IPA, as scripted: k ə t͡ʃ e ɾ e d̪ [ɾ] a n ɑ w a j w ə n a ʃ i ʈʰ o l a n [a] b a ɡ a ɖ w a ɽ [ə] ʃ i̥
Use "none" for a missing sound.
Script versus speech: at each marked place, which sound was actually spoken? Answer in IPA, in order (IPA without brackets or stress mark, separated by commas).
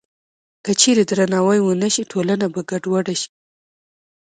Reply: ɾ, a, a